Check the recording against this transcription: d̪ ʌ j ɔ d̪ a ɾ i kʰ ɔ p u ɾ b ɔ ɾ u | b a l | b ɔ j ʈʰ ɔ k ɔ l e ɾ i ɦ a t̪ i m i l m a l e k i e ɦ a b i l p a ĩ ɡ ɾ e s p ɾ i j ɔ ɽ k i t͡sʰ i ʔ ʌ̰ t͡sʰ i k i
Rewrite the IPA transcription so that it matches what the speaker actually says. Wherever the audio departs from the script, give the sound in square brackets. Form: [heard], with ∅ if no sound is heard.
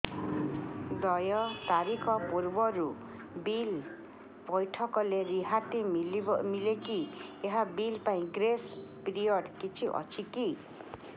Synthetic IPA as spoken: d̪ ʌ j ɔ [t̪] a ɾ i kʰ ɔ p u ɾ b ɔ ɾ u | b [i] l | b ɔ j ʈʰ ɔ k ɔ l e ɾ i ɦ a t̪ i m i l m [i] l e k i e ɦ a b i l p a ĩ ɡ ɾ e s p ɾ i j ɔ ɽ k i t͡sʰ i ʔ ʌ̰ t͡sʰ i k i